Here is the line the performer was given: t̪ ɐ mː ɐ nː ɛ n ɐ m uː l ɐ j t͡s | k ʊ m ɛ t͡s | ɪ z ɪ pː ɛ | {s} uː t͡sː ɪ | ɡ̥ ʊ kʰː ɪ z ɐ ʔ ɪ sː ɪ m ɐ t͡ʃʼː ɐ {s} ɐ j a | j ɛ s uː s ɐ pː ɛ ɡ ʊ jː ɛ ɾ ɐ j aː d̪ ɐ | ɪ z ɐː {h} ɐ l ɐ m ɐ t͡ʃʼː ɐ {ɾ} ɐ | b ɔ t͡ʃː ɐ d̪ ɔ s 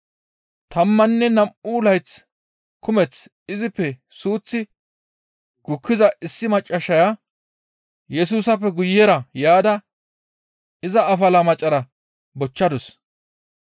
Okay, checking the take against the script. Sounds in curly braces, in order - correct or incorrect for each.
correct, incorrect, incorrect, correct

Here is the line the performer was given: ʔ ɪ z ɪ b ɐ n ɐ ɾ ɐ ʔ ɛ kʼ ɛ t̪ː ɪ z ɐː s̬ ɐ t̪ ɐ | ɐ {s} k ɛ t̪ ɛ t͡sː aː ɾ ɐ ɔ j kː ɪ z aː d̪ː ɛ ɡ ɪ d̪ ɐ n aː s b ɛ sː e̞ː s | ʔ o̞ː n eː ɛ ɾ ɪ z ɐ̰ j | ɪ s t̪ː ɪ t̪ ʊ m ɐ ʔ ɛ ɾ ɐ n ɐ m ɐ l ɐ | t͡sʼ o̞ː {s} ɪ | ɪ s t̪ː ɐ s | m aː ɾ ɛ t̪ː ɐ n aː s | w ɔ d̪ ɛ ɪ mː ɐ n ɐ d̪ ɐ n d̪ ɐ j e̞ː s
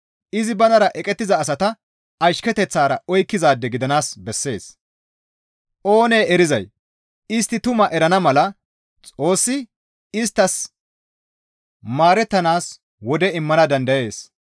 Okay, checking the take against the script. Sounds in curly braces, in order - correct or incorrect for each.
incorrect, incorrect

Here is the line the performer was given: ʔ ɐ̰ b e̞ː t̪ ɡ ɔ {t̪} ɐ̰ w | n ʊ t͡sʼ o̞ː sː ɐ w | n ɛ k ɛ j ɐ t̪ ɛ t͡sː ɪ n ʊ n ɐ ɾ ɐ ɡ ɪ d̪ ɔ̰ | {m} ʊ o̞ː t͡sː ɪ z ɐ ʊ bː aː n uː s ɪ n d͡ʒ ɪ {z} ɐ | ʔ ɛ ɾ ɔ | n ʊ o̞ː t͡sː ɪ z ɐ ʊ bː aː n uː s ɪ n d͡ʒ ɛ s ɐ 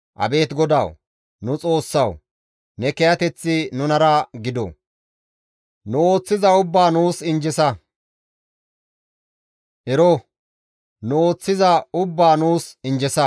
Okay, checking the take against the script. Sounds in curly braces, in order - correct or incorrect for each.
incorrect, incorrect, incorrect

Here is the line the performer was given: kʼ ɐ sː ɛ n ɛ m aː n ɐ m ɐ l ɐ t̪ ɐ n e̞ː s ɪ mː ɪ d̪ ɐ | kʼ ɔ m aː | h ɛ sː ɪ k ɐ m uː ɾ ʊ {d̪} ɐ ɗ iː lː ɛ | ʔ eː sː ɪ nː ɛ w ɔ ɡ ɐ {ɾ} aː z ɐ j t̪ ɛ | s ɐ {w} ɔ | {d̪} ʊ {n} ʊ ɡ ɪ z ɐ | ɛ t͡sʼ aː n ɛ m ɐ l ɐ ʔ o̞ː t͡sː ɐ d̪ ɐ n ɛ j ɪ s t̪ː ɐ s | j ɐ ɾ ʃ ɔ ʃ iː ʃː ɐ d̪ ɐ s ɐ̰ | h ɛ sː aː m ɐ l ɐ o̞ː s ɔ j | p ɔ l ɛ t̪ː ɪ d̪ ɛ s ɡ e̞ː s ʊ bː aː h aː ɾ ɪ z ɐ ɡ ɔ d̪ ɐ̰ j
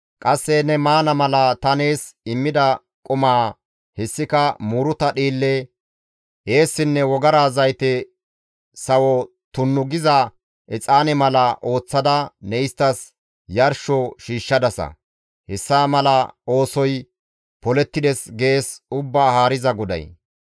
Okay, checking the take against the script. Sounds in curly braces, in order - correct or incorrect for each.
incorrect, correct, correct, incorrect, incorrect

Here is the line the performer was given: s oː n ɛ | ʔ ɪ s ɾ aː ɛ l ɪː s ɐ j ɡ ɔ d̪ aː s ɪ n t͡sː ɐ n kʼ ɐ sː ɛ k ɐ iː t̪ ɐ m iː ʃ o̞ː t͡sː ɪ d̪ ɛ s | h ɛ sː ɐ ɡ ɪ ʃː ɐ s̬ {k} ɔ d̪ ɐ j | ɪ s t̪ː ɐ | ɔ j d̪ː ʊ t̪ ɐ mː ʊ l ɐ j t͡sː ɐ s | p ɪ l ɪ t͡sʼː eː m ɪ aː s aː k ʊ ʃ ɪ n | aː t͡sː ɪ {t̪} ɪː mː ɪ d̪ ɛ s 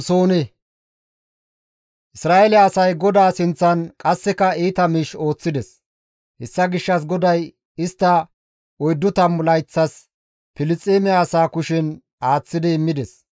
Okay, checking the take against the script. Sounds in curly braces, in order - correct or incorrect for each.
incorrect, incorrect

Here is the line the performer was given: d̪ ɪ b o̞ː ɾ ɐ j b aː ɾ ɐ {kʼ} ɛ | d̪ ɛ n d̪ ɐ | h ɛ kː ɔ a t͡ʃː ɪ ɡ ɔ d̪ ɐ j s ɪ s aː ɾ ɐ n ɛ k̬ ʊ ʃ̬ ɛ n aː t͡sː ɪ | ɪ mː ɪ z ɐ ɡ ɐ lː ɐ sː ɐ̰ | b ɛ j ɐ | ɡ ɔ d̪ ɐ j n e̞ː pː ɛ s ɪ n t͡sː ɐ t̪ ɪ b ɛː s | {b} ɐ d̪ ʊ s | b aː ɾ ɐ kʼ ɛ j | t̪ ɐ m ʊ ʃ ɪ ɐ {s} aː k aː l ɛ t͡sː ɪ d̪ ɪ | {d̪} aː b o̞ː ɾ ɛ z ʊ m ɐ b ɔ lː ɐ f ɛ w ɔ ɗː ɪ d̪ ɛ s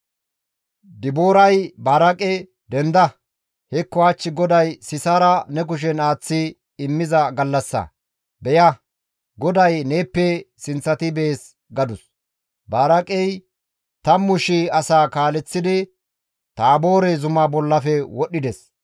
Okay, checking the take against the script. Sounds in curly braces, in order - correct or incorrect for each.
correct, incorrect, correct, incorrect

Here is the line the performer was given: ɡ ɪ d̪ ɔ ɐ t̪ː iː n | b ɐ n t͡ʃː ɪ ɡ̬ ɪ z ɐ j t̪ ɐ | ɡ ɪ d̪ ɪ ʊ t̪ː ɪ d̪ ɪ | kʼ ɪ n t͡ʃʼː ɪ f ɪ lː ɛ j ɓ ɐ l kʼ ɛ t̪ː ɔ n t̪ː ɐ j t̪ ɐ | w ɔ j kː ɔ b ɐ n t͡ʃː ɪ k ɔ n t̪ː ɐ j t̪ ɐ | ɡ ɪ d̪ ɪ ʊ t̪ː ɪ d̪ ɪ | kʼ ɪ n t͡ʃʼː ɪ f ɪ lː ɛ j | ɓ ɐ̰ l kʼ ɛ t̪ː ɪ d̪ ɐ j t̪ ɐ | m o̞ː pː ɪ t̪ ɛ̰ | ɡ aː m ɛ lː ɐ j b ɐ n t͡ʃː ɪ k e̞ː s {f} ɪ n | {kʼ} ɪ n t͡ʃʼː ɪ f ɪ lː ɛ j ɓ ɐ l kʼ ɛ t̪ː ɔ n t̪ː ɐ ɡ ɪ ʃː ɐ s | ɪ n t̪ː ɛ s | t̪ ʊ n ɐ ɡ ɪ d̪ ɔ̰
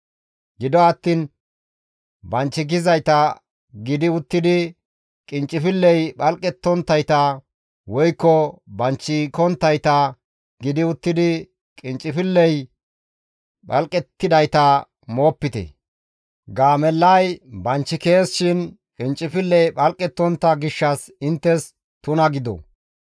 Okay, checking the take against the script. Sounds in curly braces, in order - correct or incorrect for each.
incorrect, correct

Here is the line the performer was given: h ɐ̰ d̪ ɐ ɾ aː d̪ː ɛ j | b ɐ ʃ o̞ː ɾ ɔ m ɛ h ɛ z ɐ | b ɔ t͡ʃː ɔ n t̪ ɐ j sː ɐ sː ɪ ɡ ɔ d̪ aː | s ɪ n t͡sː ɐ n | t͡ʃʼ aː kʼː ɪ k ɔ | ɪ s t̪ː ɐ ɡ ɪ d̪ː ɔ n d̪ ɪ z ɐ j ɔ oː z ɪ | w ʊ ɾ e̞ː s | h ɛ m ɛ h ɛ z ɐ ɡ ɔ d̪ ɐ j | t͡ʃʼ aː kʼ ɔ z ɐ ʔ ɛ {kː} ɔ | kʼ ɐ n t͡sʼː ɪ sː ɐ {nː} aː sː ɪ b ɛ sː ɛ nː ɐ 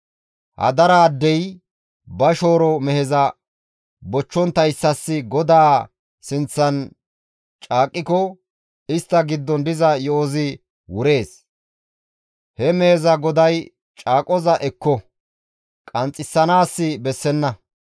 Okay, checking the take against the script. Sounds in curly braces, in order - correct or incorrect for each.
correct, incorrect

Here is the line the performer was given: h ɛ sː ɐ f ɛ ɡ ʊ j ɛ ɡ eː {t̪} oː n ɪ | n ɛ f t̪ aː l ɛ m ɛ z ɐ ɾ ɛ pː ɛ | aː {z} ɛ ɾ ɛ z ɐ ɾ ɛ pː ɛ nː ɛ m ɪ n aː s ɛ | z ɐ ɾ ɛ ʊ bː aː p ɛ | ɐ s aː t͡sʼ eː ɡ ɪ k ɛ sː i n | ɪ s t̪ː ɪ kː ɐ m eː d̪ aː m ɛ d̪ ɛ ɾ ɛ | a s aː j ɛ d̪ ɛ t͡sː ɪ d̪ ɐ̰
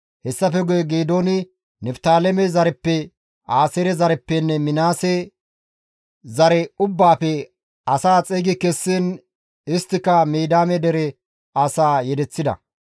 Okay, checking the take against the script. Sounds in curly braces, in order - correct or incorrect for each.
incorrect, incorrect

